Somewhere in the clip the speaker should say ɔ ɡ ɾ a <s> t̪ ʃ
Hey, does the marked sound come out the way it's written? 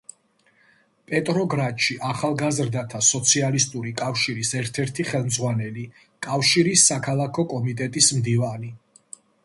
no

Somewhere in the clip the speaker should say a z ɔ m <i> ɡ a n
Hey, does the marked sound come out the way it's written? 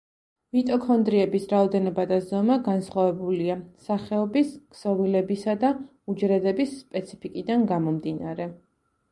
no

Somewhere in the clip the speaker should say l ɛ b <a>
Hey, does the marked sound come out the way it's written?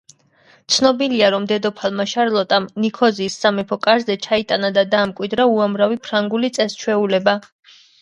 yes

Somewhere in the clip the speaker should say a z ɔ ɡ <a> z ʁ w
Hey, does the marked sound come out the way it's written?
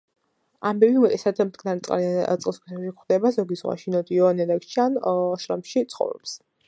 no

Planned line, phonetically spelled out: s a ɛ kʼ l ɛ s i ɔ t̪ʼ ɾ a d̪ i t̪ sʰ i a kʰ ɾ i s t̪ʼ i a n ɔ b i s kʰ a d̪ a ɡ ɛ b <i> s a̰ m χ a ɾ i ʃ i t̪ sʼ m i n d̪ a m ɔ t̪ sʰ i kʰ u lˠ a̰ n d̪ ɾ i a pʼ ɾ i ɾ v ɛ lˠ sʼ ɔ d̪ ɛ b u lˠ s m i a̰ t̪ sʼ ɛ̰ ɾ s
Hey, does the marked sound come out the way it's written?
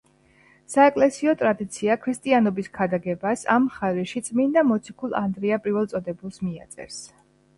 no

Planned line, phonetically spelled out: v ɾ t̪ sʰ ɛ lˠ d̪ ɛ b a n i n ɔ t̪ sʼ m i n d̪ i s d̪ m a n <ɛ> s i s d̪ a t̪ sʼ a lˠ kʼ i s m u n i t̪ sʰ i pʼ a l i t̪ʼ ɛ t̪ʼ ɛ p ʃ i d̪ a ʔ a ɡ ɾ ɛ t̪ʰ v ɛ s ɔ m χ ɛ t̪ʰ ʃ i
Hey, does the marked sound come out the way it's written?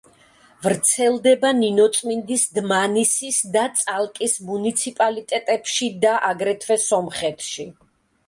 no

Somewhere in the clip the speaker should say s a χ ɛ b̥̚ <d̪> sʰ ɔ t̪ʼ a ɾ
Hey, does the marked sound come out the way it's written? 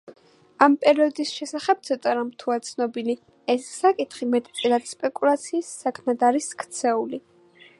no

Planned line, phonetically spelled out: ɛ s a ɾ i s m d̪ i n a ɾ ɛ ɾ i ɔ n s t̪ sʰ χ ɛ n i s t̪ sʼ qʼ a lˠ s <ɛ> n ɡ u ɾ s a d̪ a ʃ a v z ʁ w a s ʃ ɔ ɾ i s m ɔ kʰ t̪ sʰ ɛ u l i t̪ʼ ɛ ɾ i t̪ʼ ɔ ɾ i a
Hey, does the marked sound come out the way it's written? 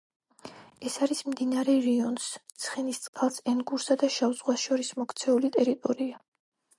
yes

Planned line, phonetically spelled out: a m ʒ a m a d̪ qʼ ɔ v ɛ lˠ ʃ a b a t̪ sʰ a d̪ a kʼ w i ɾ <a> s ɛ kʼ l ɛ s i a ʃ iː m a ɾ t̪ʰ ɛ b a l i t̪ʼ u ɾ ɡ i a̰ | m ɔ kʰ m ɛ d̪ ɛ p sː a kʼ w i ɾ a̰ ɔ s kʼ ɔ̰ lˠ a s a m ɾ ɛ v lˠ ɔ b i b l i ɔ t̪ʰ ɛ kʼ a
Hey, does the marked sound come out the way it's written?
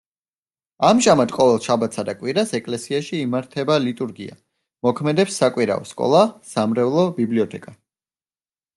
yes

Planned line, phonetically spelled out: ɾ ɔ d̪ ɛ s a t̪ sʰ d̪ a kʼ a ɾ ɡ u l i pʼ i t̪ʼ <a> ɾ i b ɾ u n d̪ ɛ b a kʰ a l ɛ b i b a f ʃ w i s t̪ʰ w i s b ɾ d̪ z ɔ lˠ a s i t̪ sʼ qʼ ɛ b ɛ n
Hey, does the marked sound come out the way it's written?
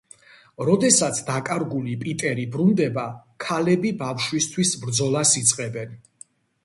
no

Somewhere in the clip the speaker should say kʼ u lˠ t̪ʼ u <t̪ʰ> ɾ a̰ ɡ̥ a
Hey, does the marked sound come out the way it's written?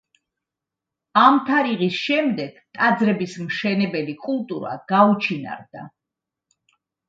no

